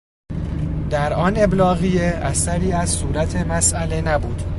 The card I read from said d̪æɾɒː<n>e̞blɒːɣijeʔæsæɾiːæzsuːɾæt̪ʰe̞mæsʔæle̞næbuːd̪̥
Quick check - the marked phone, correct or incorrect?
correct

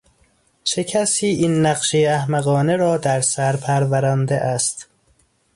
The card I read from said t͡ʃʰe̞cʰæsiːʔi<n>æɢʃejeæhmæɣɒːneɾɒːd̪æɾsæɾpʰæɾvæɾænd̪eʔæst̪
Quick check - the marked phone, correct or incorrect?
incorrect: nː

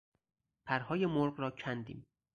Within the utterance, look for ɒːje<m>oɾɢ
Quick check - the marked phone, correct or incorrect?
correct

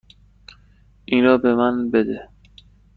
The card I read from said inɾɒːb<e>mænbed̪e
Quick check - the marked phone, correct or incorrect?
correct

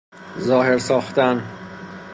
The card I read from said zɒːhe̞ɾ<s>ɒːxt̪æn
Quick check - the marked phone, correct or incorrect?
correct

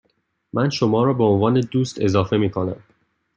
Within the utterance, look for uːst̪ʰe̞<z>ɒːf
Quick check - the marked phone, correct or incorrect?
correct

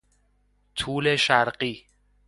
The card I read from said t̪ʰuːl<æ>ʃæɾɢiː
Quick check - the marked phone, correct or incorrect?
incorrect: e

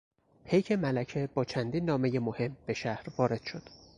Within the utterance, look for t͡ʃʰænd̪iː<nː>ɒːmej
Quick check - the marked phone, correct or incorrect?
correct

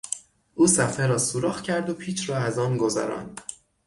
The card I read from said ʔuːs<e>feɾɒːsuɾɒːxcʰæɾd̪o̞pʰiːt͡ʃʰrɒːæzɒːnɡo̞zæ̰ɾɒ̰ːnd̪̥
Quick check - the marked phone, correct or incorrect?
incorrect: æ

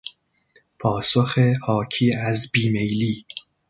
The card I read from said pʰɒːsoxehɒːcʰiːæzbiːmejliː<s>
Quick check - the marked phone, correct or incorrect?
incorrect: none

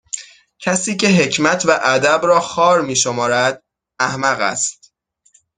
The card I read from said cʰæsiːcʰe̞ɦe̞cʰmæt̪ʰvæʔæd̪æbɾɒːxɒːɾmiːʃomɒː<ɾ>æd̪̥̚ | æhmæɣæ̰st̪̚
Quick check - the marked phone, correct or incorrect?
correct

